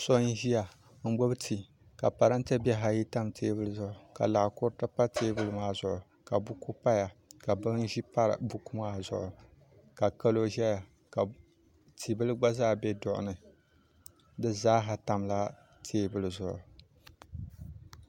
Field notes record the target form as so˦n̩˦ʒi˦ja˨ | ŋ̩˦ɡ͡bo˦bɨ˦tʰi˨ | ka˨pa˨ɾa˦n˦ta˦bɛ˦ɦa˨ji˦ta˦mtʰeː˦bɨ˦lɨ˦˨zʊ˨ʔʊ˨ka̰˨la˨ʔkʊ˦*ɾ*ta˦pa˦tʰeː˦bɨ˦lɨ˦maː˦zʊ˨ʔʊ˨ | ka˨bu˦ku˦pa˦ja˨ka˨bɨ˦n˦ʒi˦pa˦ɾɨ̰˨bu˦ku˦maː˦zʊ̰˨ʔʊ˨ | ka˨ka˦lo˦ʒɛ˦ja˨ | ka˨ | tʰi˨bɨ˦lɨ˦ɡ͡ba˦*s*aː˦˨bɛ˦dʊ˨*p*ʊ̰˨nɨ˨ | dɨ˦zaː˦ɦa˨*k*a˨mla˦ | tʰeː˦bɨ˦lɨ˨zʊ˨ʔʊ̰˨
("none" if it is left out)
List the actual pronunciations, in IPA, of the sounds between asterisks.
ɾ, z, ʔ, t

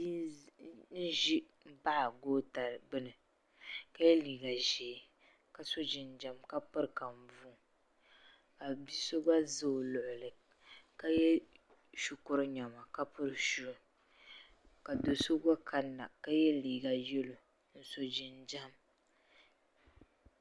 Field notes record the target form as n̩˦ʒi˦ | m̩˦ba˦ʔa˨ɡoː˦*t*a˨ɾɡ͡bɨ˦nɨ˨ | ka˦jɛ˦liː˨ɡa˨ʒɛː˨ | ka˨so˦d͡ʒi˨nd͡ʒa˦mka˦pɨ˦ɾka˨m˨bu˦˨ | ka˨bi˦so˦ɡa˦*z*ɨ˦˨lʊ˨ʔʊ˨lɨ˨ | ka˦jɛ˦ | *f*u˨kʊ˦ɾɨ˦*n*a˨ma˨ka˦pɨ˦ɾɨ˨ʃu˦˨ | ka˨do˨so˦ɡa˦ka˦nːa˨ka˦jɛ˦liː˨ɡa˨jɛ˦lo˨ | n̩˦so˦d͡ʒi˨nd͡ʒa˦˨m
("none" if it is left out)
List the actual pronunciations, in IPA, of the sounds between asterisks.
t, z, ʃ, ɲ

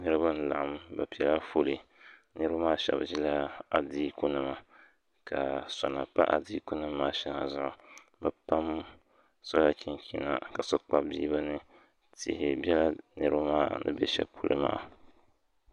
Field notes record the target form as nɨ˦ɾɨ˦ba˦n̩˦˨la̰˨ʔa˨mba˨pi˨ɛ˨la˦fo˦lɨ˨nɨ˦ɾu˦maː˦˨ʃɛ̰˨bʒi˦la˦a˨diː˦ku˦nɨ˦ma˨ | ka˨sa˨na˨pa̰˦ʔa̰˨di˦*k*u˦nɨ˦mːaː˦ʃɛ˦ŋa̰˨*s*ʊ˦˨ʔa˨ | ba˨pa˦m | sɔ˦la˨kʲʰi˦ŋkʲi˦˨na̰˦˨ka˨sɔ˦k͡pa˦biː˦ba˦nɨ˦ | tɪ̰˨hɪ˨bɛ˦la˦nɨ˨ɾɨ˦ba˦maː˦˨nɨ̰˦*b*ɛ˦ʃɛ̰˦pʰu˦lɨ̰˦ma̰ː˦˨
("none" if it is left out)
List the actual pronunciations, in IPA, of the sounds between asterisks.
k, z, b

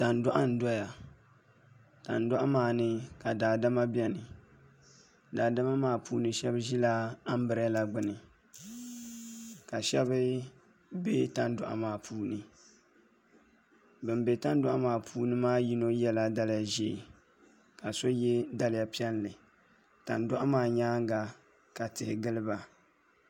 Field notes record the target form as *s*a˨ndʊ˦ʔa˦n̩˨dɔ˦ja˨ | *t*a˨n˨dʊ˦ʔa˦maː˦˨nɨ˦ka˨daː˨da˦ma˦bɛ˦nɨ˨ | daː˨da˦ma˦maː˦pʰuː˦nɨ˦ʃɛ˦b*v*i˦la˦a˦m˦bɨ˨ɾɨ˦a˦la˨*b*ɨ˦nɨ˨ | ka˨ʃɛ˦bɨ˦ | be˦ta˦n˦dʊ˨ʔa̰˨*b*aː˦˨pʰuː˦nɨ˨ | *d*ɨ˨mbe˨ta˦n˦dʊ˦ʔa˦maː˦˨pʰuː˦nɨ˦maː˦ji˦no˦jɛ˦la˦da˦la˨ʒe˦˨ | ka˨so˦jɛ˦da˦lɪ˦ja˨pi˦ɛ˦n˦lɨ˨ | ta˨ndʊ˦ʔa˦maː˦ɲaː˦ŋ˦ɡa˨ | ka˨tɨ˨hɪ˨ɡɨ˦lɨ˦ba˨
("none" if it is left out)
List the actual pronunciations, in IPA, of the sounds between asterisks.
t, t, ʒ, ɡ͡b, m, b

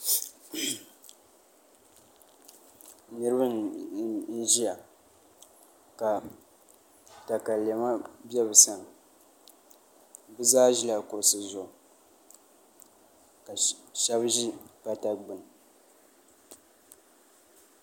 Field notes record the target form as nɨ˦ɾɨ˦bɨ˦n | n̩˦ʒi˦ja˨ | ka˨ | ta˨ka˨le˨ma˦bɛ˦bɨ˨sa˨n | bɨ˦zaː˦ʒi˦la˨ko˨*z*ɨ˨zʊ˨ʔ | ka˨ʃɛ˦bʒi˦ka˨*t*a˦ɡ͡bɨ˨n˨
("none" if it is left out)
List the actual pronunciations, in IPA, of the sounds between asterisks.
s, t

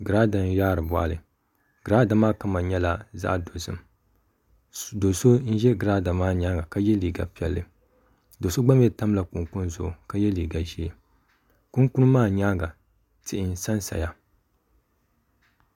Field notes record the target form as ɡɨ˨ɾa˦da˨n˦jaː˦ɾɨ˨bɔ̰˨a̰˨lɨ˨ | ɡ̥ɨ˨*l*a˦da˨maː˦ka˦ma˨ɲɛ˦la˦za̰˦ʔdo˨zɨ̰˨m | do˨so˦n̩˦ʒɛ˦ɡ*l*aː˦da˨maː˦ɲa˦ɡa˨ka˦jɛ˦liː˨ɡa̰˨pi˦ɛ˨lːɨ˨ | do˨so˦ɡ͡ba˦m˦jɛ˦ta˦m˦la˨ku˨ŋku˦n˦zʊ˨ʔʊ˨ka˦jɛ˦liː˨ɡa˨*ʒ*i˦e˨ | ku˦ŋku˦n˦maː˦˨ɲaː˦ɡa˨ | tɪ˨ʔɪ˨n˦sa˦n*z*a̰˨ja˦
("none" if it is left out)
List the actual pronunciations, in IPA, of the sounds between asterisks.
ɾ, ɾ, ʒ, s

